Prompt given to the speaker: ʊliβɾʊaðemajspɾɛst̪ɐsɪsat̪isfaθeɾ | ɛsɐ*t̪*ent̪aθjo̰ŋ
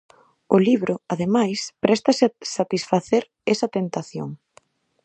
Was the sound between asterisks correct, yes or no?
yes